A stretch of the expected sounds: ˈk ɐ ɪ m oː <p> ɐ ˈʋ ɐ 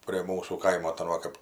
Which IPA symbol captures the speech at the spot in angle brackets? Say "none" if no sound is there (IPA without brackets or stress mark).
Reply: t